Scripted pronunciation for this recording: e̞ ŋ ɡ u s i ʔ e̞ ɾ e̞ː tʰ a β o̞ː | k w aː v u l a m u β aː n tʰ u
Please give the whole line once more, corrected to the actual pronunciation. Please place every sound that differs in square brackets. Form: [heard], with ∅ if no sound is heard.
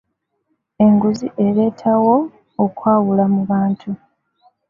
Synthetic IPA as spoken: e̞ ŋ ɡ u [z] i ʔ e̞ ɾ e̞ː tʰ a [w] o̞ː | k w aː [w] u l a m u β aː n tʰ u